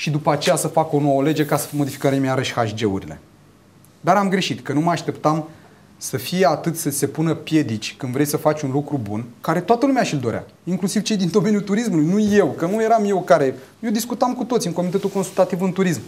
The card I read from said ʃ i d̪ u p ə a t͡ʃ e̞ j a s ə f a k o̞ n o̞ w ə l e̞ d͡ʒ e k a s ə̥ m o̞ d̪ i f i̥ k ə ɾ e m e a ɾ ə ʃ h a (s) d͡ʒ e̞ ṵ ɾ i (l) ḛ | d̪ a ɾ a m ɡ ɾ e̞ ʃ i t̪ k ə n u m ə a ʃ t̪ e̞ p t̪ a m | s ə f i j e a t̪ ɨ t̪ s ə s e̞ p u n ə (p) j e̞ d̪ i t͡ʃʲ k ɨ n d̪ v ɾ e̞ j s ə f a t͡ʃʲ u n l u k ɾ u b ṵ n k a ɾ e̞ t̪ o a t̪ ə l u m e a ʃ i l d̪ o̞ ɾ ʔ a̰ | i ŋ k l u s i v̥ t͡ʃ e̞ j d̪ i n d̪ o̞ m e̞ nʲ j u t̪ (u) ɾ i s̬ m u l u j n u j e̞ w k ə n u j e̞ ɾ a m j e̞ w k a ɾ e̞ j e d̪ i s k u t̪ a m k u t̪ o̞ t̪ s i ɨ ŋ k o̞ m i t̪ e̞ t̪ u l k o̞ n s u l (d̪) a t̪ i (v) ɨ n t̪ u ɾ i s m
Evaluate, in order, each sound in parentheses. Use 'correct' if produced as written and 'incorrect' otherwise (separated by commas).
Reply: incorrect, correct, correct, correct, incorrect, correct